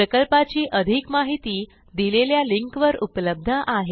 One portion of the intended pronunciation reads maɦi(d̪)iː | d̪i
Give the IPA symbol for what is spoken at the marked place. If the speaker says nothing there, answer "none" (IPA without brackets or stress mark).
t̪